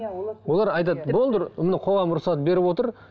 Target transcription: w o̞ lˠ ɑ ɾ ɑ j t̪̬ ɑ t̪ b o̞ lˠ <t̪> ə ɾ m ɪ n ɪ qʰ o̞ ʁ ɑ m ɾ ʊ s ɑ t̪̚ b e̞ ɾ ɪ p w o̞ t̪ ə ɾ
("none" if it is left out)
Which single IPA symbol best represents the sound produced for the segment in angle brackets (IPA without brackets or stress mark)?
d̪